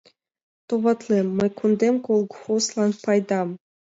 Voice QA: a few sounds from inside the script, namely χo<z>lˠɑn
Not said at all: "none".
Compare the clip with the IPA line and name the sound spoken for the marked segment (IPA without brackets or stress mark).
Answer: s